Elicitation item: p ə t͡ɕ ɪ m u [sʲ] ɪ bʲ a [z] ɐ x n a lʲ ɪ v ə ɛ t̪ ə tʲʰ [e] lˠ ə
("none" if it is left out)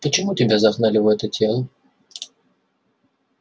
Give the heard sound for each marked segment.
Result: tʲ, z, e

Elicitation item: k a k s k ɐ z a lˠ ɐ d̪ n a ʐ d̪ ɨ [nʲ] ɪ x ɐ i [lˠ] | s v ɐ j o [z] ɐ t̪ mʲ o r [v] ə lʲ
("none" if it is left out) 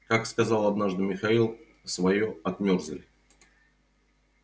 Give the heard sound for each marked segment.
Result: mʲ, lˠ, none, z

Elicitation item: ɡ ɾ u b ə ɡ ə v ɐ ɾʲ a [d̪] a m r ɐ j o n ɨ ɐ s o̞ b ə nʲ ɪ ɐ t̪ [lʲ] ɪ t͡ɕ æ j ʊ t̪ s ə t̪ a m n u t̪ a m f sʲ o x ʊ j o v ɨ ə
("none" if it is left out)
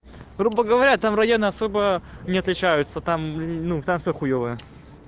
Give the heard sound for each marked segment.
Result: t̪, lʲ

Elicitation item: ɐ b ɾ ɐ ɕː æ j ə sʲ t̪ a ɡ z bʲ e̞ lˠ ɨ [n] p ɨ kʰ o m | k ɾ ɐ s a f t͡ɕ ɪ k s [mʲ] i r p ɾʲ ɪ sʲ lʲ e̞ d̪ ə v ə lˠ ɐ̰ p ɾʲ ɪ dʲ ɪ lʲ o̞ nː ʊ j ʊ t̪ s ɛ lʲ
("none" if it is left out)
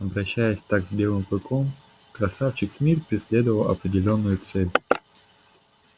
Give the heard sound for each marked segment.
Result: m, mʲ

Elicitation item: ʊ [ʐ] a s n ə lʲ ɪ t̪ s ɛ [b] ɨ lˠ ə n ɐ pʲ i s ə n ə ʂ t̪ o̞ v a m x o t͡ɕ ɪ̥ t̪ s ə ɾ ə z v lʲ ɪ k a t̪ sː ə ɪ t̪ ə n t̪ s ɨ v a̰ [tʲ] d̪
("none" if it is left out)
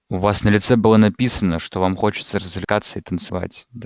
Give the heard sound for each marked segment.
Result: v, b, tʲ

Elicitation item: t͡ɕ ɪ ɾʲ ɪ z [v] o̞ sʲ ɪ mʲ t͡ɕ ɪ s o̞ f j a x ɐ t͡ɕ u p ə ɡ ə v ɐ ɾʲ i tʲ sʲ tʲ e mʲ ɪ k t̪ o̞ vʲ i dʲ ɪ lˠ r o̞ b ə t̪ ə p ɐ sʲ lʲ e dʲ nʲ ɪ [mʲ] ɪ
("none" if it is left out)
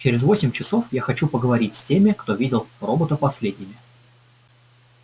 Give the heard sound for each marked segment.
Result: v, mʲ

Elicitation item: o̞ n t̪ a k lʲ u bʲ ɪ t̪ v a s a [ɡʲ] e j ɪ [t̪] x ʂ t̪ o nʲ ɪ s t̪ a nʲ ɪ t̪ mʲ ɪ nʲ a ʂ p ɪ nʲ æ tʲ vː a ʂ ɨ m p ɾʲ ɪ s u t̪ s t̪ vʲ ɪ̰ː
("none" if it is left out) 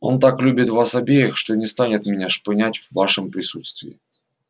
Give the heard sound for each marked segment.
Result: bʲ, none

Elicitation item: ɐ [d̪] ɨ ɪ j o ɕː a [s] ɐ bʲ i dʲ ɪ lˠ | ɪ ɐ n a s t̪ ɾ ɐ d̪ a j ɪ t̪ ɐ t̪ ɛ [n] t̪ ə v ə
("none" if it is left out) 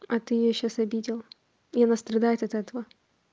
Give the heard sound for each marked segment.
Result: t̪, s, none

